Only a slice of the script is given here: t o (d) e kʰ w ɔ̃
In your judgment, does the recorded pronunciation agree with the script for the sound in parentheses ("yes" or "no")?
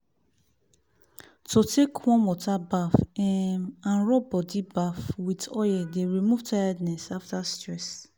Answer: no